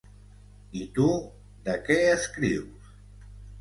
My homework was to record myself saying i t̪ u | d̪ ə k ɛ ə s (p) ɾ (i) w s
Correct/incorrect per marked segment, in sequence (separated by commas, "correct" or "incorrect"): incorrect, correct